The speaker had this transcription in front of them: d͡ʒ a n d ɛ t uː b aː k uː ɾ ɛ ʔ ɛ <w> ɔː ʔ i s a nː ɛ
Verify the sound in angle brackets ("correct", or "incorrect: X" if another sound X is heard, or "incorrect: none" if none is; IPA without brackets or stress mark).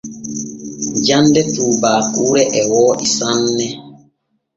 correct